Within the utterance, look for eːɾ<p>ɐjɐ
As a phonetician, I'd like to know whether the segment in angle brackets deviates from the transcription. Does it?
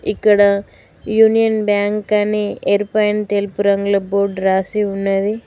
no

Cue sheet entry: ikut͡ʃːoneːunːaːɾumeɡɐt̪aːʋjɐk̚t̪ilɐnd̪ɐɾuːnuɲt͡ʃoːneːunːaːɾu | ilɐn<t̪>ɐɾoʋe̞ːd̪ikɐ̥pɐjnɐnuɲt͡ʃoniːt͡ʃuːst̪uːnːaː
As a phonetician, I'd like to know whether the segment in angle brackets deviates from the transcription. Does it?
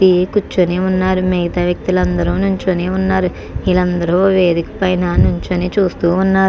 yes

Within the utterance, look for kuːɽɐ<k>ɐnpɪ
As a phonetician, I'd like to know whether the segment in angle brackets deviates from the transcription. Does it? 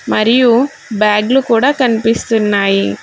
no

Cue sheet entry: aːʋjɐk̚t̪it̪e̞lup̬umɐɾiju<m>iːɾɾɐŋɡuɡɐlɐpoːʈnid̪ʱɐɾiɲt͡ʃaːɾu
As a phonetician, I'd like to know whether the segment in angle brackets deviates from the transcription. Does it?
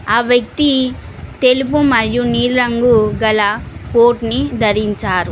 yes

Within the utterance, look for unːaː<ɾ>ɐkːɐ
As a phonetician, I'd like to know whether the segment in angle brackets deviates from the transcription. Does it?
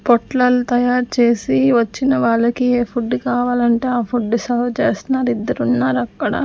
no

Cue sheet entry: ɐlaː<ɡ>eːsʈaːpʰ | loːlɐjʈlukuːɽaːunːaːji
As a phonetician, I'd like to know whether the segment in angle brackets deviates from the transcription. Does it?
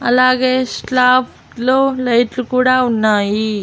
no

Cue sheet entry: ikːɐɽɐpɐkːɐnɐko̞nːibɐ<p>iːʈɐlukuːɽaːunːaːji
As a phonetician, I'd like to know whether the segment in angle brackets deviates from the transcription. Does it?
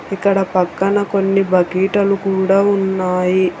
yes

